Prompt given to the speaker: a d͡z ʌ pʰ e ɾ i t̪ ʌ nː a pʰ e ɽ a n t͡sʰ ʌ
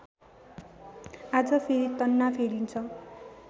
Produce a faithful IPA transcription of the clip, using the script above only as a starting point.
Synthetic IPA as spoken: a d͡z ʌ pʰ e ɾ i t̪ ʌ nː a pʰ e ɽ i n t͡sʰ ʌ